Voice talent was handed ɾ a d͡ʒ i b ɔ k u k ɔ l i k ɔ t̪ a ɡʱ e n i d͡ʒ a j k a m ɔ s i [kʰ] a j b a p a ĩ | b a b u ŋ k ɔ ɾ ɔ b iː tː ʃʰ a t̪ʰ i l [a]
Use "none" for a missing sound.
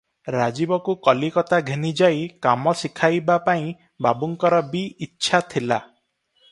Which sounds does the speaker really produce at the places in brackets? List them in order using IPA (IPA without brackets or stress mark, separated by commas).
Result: kʰ, a